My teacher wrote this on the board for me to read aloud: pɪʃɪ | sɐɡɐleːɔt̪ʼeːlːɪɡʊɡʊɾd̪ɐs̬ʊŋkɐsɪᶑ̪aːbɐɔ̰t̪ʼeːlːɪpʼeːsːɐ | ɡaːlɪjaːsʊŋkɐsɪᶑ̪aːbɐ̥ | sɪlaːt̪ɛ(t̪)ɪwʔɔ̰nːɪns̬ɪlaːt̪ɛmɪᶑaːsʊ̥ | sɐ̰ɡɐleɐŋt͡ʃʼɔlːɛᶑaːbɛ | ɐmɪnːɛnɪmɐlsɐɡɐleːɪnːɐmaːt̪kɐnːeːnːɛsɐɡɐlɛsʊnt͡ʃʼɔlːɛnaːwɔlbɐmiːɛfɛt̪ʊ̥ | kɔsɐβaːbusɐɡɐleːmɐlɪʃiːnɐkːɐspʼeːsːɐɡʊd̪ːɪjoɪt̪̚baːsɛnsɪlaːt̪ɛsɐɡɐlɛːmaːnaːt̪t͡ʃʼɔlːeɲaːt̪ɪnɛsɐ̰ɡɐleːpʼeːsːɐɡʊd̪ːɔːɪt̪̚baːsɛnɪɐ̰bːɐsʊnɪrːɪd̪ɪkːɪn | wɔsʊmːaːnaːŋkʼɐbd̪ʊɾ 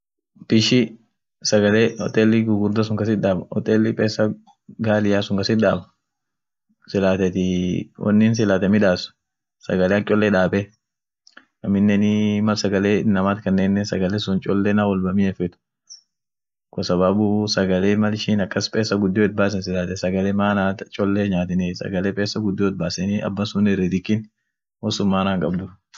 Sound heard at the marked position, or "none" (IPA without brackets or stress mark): t̪